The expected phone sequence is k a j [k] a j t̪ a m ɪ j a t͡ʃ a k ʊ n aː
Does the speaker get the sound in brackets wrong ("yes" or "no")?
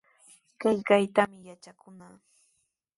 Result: no